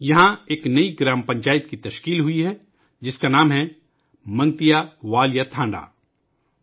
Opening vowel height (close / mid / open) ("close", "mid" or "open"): open